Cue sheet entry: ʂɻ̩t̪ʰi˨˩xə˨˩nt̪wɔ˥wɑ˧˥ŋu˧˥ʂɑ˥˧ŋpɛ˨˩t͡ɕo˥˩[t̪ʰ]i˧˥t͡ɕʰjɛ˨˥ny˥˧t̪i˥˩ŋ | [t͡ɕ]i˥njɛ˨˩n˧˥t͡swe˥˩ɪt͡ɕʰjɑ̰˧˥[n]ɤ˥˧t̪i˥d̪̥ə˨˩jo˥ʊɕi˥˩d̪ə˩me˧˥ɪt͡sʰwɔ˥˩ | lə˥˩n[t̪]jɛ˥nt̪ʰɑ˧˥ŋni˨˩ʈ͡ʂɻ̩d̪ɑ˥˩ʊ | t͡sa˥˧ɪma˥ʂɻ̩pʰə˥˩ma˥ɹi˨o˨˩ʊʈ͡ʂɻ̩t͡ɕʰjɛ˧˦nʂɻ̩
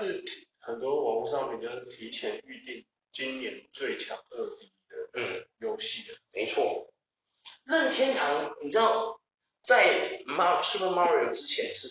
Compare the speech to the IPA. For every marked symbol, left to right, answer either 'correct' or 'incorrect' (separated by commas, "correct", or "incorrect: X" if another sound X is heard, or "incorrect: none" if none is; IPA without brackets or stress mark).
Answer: correct, correct, incorrect: ŋ, incorrect: t̪ʰ